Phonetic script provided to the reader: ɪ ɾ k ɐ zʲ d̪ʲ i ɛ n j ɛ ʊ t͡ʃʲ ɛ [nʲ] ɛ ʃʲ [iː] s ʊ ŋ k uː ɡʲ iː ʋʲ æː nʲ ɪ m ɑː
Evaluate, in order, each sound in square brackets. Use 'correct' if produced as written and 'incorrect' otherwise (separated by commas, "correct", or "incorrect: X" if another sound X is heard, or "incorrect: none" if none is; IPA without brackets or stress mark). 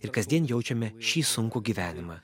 incorrect: mʲ, correct